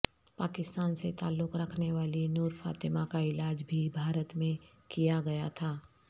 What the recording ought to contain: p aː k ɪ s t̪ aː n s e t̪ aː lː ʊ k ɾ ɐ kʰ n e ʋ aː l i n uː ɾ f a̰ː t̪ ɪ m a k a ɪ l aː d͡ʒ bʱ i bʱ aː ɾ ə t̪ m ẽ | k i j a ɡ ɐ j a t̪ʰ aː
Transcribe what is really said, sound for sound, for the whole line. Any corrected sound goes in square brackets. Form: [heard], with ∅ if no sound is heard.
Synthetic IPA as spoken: p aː k ɪ s t̪ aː n s e t̪ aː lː ʊ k ɾ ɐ kʰ n e ʋ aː l i n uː ɾ f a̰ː t̪ ɪ m a k a ɪ l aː d͡ʒ bʱ i bʱ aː ɾ ə t̪ m ẽ | k i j a ɡ ɐ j a t̪ʰ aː